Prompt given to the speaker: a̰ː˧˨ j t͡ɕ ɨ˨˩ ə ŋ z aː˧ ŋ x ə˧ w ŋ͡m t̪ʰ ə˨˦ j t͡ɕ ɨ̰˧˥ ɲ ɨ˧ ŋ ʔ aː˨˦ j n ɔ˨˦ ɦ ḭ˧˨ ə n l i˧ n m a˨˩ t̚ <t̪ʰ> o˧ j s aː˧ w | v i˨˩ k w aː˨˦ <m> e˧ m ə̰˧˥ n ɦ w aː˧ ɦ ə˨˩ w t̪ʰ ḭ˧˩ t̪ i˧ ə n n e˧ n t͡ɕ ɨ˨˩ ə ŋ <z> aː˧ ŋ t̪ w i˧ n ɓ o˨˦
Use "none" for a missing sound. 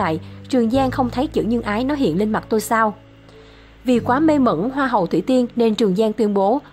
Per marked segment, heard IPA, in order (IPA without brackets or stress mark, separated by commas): t̪, m, z